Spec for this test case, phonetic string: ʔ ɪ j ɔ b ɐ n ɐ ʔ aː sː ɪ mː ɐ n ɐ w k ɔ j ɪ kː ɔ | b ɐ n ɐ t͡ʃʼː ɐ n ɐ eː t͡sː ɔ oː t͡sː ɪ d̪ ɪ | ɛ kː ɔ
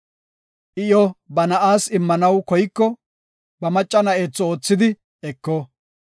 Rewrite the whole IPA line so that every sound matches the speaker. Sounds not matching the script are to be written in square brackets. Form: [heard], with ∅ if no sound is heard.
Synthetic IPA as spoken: ʔ ɪ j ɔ b ɐ n ɐ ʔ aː [s] ɪ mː ɐ n ɐ w k ɔ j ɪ kː ɔ | b ɐ [m] ɐ t͡ʃʼː ɐ n ɐ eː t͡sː ɔ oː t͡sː ɪ d̪ ɪ | ɛ kː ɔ